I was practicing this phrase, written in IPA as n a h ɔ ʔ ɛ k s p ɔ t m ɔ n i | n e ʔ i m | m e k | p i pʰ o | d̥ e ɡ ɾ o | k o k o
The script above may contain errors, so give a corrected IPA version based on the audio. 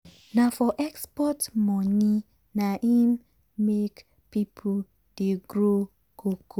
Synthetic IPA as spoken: n a f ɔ ʔ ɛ k s p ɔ t m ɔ n i | n a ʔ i m | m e k | p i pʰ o | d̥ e ɡ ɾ o | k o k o

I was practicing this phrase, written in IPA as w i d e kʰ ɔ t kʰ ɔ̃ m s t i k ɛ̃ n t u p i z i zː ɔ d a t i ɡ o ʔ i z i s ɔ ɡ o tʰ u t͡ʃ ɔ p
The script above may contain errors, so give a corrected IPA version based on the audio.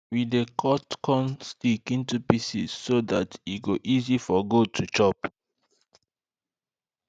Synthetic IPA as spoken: w i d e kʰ ɔ t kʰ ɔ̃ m s t i k ĩ n t u p i s i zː o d a t i ɡ o ʔ i z i f ɔ ɡ o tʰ u t͡ʃ ɔ p

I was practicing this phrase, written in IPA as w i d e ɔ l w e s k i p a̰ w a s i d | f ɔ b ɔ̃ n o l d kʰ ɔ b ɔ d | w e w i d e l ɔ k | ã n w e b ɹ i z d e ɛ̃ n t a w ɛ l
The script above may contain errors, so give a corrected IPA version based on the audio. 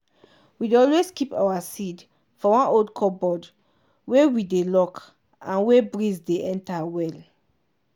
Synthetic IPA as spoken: w i d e ɔ l w e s k i p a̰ w a s i d | f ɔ w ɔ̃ n o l d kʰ ɔ b ɔ d | w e w i d e l ɔ k | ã n w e b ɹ i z d e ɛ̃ n t a w ɛ l

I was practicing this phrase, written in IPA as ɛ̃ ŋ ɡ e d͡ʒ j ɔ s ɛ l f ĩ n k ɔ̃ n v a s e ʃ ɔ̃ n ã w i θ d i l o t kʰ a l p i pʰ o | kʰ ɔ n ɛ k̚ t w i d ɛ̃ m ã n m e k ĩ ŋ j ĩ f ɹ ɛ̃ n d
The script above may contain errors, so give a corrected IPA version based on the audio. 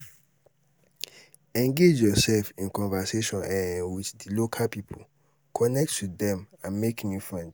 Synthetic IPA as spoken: ɛ̃ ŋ ɡ e d͡ʒ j ɔ s ɛ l f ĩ n k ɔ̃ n v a s e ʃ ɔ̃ n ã w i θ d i l o kʰ a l p i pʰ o | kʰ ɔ n ɛ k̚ t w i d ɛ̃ m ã n m e k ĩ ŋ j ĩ f ɹ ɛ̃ n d

